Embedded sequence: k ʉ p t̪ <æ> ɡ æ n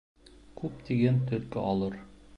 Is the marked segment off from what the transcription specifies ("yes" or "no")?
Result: yes